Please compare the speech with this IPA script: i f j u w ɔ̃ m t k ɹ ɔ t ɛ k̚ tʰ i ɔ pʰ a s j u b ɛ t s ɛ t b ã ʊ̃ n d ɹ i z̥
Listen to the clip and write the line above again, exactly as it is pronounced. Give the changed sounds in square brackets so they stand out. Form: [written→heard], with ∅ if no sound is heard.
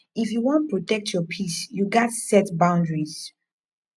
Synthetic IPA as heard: i f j u w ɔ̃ [m→n] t [k→p] ɹ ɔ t ɛ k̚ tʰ [i→j] ɔ pʰ [a→i] s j u [b→ɡ] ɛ t s ɛ t b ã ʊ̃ n d ɹ i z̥